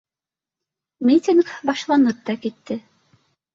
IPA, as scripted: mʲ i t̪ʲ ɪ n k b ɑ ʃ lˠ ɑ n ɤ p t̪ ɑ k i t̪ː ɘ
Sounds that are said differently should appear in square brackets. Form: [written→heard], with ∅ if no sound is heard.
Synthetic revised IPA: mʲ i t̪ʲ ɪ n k b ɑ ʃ lˠ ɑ n ɤ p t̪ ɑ k i t̪ː ɘ